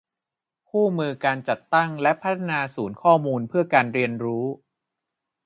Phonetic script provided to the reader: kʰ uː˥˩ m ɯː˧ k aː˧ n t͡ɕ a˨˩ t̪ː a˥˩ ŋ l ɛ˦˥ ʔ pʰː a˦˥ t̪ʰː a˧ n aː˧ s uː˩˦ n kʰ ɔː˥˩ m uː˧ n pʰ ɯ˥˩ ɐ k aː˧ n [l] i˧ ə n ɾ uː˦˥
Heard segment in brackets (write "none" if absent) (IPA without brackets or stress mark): ɾ